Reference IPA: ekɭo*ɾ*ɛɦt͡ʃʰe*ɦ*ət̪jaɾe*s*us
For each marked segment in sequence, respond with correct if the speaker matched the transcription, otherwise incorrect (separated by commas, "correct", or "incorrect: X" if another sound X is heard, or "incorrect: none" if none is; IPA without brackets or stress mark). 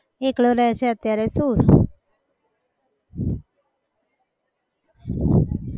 correct, incorrect: none, correct